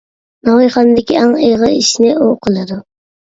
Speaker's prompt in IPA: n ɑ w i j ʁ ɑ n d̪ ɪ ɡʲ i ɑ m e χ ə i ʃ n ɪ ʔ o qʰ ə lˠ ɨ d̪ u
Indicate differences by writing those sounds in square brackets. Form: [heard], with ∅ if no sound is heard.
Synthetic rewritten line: n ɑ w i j [χ] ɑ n d̪ ɪ [kʲ] i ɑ [ŋ] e [ʁ] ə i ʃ n ɪ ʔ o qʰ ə lˠ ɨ d̪ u

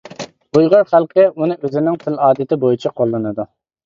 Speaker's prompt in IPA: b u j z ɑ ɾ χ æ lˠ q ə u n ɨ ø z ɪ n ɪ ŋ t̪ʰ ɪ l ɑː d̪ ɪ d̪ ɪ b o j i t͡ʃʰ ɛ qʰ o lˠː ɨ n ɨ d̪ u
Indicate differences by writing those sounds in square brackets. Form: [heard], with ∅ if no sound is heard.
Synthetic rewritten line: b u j [ʁ] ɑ ɾ χ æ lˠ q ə u n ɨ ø z ɪ n ɪ ŋ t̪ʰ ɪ l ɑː d̪ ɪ [t̪] ɪ b o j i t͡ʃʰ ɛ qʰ o lˠː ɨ n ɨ d̪ u

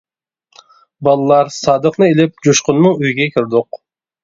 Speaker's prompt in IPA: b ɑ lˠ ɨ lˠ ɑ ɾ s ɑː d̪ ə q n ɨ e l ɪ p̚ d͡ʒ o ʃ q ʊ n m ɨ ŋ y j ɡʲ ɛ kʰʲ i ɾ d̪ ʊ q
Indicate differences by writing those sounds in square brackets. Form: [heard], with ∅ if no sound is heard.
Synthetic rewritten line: b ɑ lˠ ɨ lˠ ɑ ɾ s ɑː d̪ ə q n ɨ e l ɪ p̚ d͡ʒ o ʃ q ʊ n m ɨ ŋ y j ɡʲ ɛ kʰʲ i ɾ d̪ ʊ q

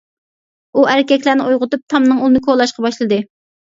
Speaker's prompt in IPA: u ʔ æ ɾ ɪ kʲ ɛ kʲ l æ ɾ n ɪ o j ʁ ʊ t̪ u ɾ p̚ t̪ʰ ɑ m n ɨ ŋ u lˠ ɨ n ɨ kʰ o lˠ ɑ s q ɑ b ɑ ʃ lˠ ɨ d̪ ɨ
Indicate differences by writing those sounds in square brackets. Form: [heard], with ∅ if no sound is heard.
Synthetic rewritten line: u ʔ æ ɾ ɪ kʲ ɛ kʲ l æ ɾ n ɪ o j ʁ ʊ t̪ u [∅] p̚ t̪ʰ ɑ m n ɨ ŋ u lˠ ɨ n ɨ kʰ o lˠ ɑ [ʃ] q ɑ b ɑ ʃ lˠ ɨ d̪ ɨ

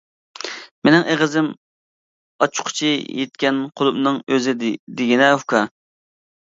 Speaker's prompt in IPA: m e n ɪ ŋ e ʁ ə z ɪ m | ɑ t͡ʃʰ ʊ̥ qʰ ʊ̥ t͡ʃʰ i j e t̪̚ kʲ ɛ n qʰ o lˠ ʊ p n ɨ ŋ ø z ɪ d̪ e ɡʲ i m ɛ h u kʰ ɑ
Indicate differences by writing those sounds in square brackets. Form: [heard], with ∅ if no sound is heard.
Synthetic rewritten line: m e n ɪ ŋ e ʁ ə z ɪ m | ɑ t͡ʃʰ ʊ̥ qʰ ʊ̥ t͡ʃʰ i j e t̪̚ kʲ ɛ n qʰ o lˠ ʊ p n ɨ ŋ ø z ɪ d̪ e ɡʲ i [n] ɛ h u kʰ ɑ

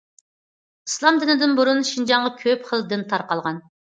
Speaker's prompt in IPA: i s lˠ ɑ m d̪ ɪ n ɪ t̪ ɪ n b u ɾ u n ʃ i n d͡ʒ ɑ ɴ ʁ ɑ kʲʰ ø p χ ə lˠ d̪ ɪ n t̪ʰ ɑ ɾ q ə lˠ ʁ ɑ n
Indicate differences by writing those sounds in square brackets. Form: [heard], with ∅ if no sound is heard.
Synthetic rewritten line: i s lˠ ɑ m d̪ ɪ n ɪ [d̪] ɪ n b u ɾ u n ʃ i n d͡ʒ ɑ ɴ ʁ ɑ kʲʰ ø p χ ə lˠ d̪ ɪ n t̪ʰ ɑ ɾ q [ɑ] lˠ ʁ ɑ n

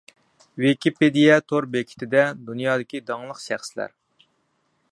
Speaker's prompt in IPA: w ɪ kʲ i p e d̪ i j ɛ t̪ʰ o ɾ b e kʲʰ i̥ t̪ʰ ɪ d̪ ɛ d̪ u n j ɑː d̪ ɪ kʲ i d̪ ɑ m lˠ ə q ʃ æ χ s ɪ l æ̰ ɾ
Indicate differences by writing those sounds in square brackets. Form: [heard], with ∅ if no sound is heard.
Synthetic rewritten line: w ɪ kʲ i p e d̪ i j ɛ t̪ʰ o ɾ b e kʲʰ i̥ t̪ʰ ɪ d̪ ɛ d̪ u n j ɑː d̪ ɪ kʲ i d̪ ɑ [ŋ] lˠ ə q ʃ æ χ s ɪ l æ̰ ɾ

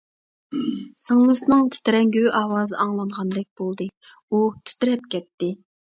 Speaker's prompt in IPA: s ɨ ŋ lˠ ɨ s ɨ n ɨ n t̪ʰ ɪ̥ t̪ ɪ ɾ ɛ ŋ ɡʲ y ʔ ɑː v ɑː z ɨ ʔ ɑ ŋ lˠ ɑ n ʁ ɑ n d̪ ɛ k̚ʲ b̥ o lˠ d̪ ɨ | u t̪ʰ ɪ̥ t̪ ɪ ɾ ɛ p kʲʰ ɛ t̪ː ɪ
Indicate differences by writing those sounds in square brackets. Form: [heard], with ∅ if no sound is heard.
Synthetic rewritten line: s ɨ ŋ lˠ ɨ s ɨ n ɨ [ŋ] t̪ʰ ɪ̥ t̪ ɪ ɾ ɛ ŋ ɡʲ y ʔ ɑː [w] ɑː z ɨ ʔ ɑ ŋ lˠ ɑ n ʁ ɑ n d̪ ɛ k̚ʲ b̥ o lˠ d̪ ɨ | u t̪ʰ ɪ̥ t̪ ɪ ɾ ɛ p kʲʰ ɛ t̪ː ɪ

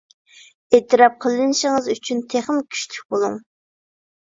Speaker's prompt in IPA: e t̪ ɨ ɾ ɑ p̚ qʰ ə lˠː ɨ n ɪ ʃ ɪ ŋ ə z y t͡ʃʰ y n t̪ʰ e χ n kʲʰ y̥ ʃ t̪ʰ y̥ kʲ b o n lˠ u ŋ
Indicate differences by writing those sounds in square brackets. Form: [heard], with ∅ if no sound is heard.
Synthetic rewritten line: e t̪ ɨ ɾ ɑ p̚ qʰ ə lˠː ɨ n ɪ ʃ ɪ ŋ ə z y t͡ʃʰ y n t̪ʰ e χ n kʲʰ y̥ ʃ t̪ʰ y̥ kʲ b o [∅] lˠ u ŋ

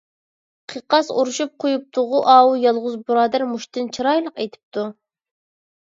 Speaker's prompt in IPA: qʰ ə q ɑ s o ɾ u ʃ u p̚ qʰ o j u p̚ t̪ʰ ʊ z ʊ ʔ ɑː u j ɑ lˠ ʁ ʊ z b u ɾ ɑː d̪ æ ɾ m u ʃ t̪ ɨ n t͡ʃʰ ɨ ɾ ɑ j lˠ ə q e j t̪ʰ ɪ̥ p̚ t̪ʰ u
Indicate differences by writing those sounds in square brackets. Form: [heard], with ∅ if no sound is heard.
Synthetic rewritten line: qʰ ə q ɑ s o ɾ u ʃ u p̚ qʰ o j u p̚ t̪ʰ ʊ [ʁ] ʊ ʔ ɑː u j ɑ lˠ ʁ ʊ z b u ɾ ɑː d̪ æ ɾ m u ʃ t̪ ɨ n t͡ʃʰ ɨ ɾ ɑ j lˠ ə q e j t̪ʰ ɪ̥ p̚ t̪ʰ u

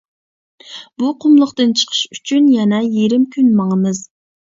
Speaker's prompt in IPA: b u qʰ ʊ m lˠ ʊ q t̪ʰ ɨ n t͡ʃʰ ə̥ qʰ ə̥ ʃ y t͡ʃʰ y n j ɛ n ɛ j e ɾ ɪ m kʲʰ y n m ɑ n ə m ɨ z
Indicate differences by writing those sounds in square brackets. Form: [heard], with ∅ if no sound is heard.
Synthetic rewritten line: b u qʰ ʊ m lˠ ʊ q [t̪] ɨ n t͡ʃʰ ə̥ qʰ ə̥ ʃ y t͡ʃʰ y n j ɛ n ɛ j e ɾ ɪ m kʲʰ y n m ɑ [ŋ] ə m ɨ z

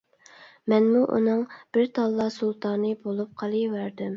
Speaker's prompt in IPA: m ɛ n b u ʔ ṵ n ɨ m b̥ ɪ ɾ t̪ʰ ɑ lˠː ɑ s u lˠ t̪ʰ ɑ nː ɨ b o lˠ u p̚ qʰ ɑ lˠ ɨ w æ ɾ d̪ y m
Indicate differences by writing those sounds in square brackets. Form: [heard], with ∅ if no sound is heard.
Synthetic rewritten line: m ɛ n [m] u ʔ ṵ n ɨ [ŋ] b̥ ɪ ɾ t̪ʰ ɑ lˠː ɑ s u lˠ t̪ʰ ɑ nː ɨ b o lˠ u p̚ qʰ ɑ lˠ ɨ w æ ɾ d̪ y m

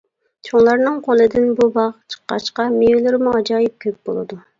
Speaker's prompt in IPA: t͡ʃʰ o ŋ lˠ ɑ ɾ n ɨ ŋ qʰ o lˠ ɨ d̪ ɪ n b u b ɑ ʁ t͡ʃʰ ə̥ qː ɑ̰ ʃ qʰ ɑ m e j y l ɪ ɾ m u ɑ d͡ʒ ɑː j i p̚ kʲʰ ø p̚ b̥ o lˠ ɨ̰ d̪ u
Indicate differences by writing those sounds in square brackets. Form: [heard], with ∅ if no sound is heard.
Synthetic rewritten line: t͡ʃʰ o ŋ lˠ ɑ ɾ n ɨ ŋ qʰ o lˠ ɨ d̪ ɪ n b u b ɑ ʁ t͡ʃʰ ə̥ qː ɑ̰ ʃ [q] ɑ m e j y l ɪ ɾ m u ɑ d͡ʒ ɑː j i p̚ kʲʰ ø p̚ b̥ o lˠ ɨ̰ d̪ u

